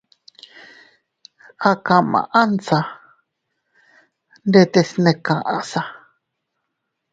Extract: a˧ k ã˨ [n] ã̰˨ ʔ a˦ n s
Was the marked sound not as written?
yes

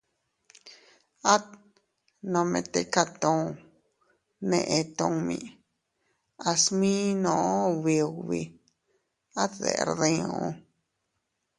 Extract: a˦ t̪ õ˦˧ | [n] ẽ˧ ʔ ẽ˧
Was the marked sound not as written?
no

